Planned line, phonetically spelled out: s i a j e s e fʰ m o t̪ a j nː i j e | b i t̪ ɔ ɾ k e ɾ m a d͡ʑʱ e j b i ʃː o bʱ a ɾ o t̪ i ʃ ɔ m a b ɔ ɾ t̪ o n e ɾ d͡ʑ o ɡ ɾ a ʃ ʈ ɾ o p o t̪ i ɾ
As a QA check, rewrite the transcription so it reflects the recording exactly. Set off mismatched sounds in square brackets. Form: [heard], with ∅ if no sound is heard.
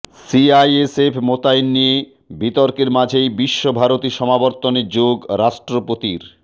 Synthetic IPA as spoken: s i a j e s e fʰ m o t̪ a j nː i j e | b i t̪ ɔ ɾ k e ɾ m a d͡ʑʱ e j b i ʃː o bʱ a ɾ o t̪ i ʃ ɔ m a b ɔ ɾ t̪ o n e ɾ d͡ʑ o ɡ ɾ a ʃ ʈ ɾ o p o t̪ i ɾ